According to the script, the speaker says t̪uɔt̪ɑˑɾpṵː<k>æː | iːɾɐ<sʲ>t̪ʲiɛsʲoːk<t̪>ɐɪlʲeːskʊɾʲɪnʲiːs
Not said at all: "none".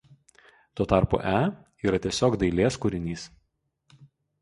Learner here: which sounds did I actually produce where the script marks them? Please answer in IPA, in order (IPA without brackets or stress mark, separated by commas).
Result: ʔ, none, d̪